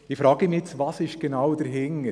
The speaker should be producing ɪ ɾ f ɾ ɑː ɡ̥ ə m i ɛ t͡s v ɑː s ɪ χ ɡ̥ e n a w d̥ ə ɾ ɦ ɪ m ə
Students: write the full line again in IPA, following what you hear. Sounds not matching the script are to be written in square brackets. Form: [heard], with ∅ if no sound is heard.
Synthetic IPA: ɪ [∅] f ɾ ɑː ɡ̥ ə m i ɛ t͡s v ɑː s ɪ [ʃ] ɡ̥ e n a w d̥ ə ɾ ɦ ɪ [ŋ] ə